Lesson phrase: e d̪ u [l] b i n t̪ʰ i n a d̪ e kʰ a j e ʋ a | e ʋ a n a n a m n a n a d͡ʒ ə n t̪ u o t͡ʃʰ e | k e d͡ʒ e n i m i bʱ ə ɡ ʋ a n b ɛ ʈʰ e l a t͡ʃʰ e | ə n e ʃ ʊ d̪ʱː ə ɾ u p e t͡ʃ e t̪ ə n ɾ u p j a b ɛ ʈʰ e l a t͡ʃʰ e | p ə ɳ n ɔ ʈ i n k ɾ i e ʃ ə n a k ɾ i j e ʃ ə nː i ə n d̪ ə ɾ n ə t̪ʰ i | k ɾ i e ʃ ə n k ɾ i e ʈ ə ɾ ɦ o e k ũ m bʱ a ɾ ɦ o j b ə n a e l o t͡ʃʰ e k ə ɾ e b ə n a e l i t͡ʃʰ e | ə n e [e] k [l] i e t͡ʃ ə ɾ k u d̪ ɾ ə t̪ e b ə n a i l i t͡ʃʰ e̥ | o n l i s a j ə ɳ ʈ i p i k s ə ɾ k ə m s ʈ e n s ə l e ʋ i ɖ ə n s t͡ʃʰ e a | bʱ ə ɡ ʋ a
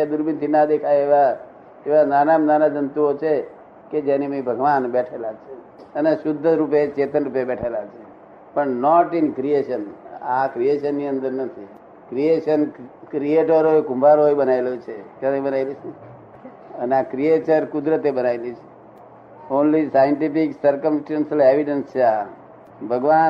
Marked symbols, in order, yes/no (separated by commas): no, no, no